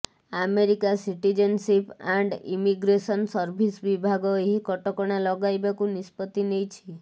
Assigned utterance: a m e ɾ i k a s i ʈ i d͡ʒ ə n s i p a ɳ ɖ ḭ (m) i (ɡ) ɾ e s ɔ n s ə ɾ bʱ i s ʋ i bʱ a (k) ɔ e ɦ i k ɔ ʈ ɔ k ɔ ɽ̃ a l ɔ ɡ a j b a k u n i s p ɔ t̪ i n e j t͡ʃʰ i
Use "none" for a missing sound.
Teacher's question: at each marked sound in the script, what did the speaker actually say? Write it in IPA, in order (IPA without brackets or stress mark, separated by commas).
m, ɡ, ɡ